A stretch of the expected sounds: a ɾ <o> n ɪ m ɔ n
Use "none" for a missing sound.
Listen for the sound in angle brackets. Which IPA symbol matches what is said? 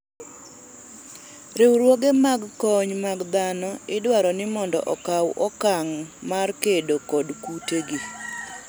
ɔ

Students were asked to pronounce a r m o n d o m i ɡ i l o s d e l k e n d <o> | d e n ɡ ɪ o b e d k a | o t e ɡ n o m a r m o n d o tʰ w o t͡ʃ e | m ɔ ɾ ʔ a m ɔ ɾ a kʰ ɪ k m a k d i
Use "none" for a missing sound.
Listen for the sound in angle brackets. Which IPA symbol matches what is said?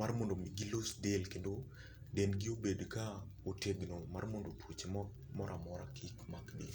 o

